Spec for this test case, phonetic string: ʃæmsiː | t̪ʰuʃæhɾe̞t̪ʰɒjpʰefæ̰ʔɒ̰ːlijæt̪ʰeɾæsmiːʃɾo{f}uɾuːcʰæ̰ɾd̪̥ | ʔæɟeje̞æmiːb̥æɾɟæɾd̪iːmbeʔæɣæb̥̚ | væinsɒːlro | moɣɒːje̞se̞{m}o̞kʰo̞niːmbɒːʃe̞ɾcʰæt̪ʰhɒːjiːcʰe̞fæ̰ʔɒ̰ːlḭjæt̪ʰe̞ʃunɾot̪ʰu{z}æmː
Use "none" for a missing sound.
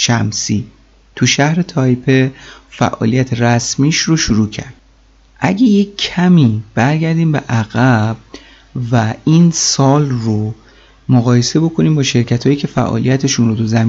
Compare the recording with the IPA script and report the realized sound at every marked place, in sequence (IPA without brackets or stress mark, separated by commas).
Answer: ʃ, b, z